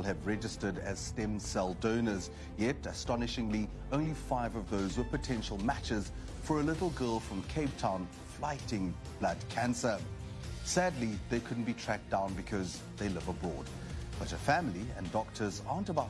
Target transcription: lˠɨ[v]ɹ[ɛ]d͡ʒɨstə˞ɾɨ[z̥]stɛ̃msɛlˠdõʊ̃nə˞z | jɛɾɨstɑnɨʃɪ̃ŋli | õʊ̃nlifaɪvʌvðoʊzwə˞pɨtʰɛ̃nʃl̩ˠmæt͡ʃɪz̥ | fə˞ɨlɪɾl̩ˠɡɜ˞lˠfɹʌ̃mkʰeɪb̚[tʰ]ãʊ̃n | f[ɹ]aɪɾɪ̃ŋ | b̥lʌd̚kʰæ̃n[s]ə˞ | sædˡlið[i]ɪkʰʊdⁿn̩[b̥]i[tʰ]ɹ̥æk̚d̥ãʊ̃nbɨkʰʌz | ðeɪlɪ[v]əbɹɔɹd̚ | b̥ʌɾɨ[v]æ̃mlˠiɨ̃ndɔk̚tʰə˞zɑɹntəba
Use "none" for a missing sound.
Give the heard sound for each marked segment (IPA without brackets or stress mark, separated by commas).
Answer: v, ɛ, z̥, tʰ, l, s, e, b̥, tʰ, v, f